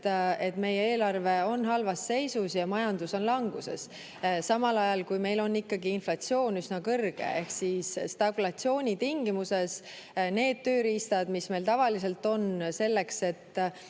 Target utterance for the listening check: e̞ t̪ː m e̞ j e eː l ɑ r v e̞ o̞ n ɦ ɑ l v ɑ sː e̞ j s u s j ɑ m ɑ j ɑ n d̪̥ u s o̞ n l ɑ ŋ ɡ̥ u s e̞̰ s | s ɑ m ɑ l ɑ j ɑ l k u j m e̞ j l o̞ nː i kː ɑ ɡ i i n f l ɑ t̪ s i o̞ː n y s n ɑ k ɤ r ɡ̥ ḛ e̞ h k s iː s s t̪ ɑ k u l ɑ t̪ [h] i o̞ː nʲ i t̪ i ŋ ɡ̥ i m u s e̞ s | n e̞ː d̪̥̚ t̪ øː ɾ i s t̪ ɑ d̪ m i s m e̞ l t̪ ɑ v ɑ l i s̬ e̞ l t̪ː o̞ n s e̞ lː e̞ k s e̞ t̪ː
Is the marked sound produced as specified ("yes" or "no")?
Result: no